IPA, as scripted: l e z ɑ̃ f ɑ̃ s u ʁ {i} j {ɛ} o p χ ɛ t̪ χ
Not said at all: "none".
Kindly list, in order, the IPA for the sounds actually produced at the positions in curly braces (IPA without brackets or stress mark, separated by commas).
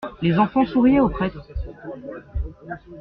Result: i, ɛ